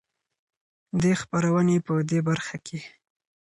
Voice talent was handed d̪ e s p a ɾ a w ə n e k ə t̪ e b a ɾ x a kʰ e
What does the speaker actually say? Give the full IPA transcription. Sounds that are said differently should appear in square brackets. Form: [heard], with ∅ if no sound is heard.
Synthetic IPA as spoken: d̪ e [x] p a ɾ a w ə n e [p] ə [d̪] e b a ɾ x a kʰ e